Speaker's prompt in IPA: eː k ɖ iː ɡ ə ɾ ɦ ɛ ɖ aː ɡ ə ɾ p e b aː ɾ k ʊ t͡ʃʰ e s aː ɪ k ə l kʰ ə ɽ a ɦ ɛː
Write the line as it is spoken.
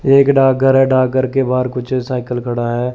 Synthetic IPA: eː k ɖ aː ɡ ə ɾ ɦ ɛ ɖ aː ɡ ə ɾ k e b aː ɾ k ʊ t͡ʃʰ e s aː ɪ k ə l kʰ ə ɽ a ɦ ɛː